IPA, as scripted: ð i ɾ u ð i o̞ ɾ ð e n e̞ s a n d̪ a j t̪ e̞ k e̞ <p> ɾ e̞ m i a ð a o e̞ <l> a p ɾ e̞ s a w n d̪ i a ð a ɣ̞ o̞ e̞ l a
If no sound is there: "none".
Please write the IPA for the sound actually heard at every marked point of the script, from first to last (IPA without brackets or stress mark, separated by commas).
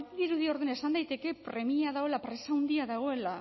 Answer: p, l